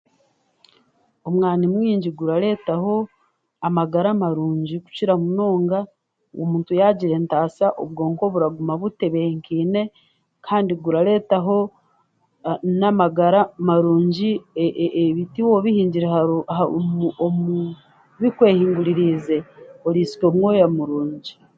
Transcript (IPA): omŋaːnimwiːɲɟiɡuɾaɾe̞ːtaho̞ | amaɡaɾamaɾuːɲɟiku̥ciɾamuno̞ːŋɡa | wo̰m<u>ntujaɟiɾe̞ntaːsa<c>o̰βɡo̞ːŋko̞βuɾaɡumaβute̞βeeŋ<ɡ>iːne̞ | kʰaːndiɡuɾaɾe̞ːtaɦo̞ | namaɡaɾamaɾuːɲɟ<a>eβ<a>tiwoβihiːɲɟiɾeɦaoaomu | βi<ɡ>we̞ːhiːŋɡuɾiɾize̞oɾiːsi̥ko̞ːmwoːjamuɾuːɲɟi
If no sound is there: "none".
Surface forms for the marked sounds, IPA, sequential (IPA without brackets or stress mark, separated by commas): uː, ʔ, k, i, i, k